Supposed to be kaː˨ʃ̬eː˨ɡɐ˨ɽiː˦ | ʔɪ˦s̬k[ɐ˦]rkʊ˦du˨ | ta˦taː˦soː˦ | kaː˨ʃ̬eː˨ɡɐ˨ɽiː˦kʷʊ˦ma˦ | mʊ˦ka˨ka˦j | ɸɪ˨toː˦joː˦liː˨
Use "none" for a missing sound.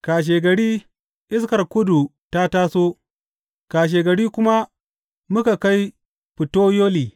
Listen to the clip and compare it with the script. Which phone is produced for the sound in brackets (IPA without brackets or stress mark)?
ɐ˨